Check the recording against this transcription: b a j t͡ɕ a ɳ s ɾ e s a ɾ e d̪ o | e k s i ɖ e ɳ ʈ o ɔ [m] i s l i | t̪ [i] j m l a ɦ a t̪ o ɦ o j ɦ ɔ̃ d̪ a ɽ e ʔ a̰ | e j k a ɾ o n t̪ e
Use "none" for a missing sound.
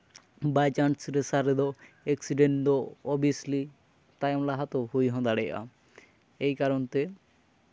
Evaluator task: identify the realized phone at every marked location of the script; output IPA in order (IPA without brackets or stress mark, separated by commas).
b, a